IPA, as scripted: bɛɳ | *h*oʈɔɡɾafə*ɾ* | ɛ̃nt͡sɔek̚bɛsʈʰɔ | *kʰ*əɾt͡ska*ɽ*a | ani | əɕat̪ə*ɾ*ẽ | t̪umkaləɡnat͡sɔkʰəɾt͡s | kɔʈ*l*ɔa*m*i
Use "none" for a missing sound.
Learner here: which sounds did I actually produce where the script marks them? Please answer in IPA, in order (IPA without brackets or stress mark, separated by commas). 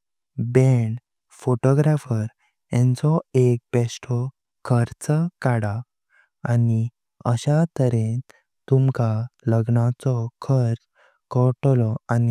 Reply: f, ɾ, kʰ, ɽ, ɾ, l, n